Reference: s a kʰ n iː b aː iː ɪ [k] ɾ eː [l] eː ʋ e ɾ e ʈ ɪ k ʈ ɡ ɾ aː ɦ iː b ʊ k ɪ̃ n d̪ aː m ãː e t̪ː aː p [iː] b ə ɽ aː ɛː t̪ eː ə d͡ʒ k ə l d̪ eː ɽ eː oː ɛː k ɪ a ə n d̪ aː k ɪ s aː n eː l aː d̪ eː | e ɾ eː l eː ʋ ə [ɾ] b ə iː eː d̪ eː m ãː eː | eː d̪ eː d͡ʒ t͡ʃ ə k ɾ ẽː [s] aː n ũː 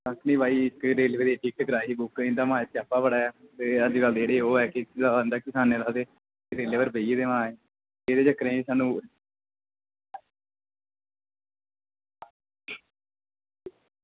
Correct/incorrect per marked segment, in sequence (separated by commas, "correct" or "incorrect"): correct, correct, incorrect, correct, correct